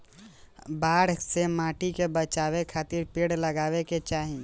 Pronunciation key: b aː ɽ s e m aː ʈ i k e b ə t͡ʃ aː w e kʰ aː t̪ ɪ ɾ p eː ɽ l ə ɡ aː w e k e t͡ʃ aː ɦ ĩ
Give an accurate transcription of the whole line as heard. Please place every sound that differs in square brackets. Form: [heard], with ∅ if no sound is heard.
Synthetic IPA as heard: b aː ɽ s e m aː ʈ i k e b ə t͡ʃ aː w e kʰ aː t̪ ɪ ɾ p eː ɽ l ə ɡ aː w e k e t͡ʃ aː ɦ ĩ